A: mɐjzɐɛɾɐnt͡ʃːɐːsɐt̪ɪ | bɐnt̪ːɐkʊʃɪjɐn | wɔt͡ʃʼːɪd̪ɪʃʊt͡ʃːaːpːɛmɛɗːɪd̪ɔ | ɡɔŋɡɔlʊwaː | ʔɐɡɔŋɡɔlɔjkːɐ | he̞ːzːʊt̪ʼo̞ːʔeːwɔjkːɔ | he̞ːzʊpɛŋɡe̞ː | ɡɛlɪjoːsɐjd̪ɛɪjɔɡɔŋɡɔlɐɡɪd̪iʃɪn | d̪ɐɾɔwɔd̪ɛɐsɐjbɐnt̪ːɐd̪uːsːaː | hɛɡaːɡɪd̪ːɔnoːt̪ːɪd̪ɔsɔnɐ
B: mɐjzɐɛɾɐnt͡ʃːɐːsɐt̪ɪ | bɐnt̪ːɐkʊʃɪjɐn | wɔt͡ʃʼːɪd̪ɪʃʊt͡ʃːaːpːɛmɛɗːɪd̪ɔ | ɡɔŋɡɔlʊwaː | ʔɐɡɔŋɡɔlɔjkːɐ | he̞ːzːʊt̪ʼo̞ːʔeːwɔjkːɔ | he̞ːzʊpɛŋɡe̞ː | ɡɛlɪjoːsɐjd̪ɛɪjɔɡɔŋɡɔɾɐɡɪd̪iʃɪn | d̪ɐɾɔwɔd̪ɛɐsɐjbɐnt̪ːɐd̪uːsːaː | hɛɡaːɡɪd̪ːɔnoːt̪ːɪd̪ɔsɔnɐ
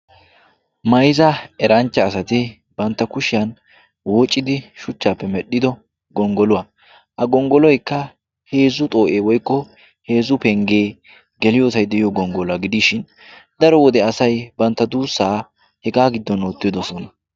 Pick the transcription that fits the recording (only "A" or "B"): A